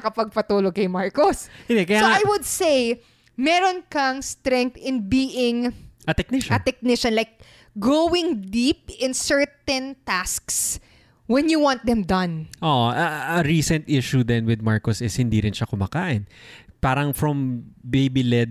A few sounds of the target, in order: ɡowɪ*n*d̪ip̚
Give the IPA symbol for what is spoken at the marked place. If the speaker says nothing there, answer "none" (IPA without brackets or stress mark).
ŋ